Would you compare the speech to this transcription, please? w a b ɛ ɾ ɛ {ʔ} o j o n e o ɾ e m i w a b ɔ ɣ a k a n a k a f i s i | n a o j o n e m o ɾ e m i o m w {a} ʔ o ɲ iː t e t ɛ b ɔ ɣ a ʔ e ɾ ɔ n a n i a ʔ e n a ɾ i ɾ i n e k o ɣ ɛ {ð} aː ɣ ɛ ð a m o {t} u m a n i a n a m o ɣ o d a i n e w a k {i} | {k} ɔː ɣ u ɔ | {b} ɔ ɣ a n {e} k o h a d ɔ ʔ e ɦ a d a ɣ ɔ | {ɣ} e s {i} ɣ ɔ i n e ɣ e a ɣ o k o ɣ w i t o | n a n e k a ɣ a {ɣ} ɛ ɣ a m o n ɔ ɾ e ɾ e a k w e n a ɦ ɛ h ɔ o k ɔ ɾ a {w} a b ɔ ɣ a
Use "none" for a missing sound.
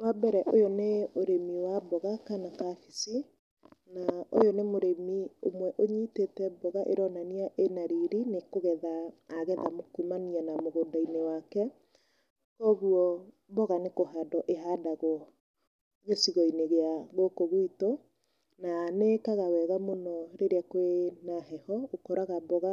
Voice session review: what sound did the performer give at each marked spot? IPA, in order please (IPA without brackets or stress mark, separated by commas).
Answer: ʔ, ɛ, ð, k, ɛ, k, b, e, ɣ, i, w, ɣ